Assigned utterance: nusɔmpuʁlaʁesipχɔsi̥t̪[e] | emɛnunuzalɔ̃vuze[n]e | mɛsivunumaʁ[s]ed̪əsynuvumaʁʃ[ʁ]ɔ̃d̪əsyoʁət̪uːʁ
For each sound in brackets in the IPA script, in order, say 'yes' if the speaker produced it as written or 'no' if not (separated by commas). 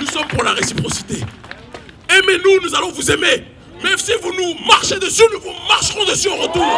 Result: yes, no, no, yes